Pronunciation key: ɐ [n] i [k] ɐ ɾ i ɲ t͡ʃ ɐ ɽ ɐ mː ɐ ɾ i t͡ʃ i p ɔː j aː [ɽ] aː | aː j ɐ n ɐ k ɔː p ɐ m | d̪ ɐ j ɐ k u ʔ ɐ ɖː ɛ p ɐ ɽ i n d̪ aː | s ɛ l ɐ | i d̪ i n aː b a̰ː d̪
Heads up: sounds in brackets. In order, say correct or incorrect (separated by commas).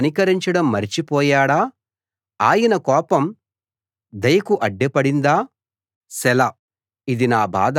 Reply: correct, correct, correct